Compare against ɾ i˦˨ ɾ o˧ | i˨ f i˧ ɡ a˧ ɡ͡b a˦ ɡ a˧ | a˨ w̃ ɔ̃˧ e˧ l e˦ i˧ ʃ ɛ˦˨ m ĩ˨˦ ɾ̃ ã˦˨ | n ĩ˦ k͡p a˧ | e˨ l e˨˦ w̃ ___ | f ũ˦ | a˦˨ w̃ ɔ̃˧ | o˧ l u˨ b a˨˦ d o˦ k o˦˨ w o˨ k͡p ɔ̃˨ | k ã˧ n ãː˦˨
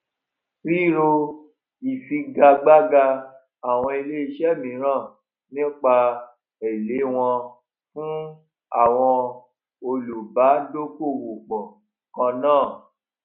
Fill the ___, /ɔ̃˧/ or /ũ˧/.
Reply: ɔ̃˧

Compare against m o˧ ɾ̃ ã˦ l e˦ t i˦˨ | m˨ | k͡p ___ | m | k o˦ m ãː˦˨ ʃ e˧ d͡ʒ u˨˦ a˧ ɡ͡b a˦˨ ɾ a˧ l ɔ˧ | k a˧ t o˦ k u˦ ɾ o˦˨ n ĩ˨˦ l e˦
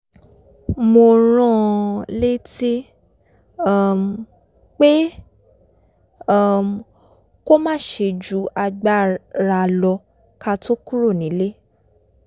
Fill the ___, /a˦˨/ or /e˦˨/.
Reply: e˦˨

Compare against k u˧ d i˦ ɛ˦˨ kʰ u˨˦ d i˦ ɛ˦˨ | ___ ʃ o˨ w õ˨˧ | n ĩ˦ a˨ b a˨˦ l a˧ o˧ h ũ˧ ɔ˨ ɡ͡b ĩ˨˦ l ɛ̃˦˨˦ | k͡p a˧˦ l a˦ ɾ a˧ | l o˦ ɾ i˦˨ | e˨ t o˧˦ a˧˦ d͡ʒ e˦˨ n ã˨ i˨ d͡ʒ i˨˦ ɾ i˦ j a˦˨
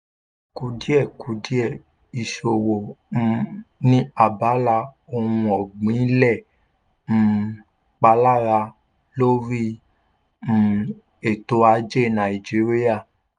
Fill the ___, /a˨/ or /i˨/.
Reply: i˨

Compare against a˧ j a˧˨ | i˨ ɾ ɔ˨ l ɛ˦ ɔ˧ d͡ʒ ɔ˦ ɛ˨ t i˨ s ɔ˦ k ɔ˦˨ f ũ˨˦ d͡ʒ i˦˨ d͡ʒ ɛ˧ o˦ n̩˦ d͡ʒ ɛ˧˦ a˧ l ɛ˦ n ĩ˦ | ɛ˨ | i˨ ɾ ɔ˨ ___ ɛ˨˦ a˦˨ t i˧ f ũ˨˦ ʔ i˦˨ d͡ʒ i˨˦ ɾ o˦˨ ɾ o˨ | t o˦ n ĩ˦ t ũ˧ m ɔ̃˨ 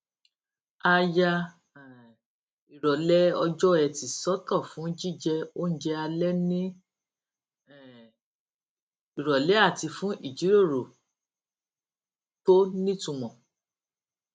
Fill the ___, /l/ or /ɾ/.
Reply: l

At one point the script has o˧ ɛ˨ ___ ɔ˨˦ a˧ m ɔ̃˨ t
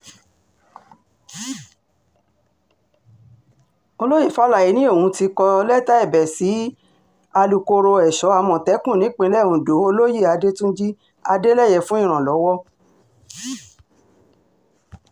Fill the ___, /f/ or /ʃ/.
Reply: ʃ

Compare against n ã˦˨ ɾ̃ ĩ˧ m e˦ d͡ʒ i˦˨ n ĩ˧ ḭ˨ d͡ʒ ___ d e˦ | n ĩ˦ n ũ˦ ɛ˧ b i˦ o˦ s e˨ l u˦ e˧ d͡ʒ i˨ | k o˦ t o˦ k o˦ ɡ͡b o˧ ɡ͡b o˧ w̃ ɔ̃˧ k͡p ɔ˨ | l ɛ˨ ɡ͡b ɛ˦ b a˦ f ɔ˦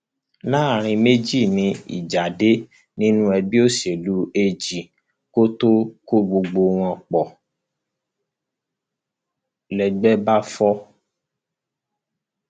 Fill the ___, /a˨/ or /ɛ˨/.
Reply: a˨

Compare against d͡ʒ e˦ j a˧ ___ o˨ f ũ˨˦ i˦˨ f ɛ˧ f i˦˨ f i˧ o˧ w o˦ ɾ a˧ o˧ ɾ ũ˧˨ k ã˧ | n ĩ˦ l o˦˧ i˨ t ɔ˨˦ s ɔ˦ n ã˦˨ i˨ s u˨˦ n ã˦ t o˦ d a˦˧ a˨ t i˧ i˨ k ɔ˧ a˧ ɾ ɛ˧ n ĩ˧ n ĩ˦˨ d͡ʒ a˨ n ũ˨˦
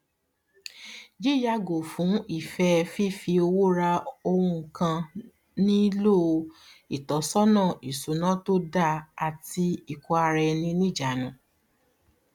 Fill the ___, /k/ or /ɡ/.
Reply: ɡ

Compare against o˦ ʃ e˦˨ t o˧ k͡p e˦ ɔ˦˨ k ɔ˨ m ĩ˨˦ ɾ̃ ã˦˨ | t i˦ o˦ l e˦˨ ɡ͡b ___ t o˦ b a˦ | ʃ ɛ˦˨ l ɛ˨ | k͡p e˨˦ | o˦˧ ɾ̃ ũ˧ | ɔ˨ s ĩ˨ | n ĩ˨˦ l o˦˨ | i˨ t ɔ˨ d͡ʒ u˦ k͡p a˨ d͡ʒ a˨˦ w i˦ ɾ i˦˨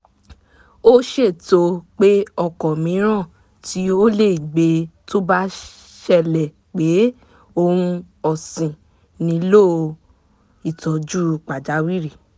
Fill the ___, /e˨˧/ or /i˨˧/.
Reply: e˨˧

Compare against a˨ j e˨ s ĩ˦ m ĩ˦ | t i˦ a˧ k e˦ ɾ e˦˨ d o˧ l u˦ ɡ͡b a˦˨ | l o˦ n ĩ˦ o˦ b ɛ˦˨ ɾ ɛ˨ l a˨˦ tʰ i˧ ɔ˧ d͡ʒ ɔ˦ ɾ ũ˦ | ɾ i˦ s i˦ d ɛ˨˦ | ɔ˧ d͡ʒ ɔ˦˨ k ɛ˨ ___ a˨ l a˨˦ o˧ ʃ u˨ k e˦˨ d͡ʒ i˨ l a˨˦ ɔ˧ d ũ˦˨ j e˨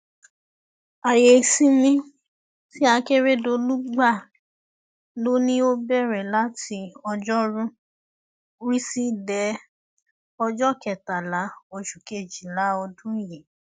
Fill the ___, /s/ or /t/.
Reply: t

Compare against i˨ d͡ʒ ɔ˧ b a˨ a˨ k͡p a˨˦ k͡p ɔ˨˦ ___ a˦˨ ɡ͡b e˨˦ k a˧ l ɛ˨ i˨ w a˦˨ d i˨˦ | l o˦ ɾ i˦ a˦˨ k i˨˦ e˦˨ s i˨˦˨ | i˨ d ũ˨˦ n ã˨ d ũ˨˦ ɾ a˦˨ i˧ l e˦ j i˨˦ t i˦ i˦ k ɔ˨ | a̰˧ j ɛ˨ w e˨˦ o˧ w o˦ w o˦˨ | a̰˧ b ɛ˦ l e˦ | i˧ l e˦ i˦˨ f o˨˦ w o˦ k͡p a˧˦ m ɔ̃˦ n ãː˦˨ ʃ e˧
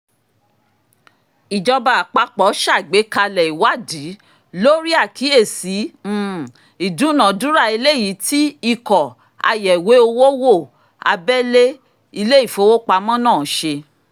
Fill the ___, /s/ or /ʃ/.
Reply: ʃ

